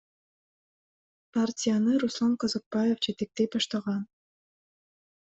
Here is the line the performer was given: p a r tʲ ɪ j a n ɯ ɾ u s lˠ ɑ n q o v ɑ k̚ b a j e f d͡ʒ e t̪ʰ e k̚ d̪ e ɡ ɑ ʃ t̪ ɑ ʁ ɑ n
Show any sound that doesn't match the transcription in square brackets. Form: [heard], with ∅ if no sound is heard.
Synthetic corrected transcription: p a r tʲ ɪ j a n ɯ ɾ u s lˠ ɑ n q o [z] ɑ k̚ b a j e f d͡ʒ e [t̪] e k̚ [t̪] e [b] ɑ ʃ t̪ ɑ ʁ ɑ n